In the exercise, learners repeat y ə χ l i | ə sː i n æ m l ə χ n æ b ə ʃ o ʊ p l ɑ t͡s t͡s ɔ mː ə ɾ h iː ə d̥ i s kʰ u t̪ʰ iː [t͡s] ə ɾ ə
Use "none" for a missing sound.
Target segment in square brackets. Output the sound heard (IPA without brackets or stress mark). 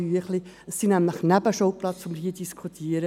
none